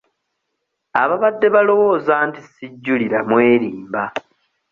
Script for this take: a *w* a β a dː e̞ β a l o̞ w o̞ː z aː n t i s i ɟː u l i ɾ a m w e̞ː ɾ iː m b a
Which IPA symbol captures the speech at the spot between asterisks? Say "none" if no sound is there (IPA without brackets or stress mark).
β